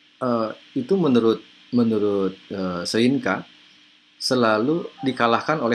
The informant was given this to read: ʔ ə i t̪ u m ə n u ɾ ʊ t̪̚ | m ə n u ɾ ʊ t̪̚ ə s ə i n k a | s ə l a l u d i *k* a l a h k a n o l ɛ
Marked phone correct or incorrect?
correct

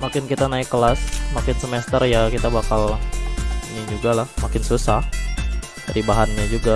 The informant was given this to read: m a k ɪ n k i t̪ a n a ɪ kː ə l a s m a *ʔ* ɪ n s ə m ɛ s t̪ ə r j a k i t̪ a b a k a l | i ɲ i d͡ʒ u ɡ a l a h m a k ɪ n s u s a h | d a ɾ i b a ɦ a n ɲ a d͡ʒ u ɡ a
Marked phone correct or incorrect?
incorrect: k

